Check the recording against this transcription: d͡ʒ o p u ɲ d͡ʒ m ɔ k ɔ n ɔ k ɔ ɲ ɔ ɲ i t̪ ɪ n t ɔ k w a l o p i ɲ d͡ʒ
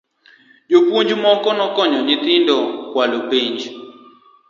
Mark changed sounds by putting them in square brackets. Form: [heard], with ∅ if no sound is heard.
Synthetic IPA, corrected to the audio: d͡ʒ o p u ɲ d͡ʒ m ɔ k ɔ n ɔ k ɔ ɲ ɔ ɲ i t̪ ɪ n [d] ɔ k w a l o p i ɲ d͡ʒ